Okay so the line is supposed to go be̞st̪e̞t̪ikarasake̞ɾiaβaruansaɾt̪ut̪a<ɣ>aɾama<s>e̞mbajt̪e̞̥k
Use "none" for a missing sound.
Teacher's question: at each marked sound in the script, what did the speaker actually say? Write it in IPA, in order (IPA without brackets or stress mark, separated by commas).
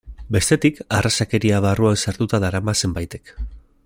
ð, s